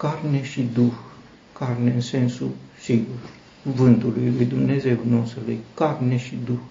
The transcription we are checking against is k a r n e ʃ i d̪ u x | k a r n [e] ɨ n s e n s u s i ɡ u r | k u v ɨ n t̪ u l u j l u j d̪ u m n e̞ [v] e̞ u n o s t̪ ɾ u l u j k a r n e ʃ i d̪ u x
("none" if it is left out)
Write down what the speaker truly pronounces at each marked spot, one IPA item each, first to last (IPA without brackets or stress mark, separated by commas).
e, z